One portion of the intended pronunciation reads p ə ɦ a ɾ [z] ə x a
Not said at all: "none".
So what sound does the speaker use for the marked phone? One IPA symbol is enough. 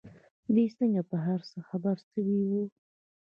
s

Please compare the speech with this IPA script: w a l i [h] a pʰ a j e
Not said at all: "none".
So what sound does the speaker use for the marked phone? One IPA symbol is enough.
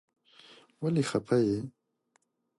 x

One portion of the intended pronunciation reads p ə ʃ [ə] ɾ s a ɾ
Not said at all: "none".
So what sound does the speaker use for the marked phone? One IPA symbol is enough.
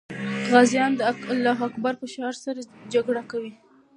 ɑ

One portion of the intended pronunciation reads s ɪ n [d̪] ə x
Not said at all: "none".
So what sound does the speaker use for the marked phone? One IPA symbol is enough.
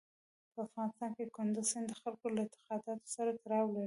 d̪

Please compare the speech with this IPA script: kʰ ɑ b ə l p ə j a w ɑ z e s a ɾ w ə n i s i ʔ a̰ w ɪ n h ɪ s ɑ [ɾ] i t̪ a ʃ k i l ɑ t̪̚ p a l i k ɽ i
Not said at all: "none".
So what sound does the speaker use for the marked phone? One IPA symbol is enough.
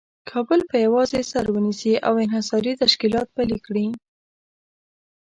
ɾ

